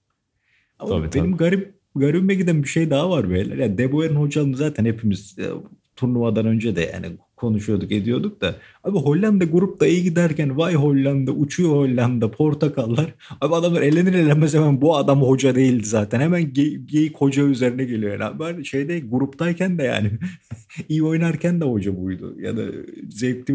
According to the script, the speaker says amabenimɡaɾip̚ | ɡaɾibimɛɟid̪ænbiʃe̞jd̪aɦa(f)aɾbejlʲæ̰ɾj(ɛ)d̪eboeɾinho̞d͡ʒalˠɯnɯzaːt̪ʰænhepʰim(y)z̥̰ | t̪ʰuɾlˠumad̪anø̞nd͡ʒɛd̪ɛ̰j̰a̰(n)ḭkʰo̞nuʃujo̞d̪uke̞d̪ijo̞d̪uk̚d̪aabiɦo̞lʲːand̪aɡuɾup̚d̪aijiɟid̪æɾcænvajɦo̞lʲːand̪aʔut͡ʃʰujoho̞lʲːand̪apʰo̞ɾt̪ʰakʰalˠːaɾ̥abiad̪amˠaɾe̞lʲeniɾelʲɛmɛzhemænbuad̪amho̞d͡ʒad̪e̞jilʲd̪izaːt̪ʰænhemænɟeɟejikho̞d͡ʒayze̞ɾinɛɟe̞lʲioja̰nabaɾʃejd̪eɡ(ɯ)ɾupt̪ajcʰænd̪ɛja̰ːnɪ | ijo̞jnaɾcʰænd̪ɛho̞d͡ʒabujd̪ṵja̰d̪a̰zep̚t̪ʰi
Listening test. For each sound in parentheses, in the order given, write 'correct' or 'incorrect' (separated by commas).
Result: incorrect, incorrect, incorrect, correct, incorrect